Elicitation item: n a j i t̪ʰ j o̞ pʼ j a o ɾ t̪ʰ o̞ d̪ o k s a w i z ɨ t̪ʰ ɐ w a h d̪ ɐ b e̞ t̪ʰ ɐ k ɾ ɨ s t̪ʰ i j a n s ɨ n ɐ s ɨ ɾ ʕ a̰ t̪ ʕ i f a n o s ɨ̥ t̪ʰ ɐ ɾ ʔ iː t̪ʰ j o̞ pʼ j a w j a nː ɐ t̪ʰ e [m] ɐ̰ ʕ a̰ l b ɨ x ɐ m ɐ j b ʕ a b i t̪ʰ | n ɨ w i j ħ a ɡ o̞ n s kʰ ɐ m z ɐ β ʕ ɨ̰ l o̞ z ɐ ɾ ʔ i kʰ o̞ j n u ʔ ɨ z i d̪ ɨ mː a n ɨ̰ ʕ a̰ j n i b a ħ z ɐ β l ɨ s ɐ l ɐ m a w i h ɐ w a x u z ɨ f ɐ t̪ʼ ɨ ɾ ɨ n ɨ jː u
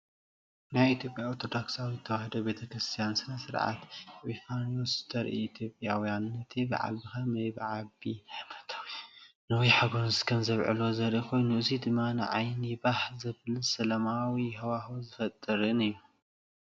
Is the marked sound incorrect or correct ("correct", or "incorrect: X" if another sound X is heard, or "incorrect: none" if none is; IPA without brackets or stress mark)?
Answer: incorrect: b